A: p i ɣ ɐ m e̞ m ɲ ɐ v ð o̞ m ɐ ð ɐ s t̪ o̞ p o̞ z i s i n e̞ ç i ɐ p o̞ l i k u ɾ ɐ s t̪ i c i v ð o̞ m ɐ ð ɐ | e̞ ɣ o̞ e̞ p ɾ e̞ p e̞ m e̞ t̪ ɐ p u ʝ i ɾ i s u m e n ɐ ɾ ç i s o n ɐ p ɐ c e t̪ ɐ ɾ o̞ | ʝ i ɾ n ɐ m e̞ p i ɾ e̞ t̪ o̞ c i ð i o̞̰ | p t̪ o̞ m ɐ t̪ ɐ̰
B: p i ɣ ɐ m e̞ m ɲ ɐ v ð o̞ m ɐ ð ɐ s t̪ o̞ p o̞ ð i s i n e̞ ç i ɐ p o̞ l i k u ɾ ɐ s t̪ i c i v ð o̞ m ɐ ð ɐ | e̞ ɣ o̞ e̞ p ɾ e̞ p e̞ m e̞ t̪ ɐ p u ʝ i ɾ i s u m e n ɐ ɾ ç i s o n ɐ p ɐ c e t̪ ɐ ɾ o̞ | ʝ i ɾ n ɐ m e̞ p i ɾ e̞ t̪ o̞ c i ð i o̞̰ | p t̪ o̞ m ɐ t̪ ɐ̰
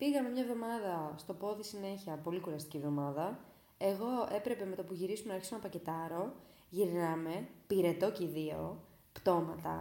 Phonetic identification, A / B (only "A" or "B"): B